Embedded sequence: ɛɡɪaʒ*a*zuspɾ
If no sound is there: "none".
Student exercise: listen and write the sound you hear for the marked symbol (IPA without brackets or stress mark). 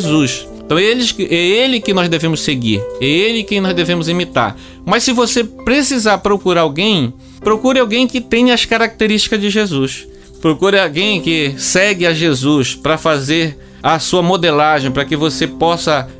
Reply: e